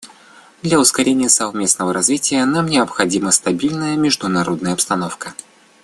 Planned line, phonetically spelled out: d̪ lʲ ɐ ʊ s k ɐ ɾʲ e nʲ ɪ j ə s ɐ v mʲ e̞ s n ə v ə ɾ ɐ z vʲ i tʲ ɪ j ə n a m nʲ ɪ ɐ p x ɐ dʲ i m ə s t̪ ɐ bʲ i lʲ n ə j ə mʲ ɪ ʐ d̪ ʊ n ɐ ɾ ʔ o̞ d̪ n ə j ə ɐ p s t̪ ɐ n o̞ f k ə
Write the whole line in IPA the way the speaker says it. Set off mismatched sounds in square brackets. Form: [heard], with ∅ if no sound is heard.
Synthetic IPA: d̪ lʲ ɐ ʊ s k ɐ ɾʲ e nʲ ɪ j ə s ɐ v mʲ e̞ s n ə v ə ɾ ɐ z vʲ i tʲ ɪ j ə n a m nʲ ɪ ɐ p x ɐ dʲ i m ə s t̪ ɐ bʲ i lʲ n ə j ə mʲ ɪ ʐ d̪ ʊ n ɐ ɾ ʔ o̞ d̪ n ə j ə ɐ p s t̪ ɐ n o̞ f k ə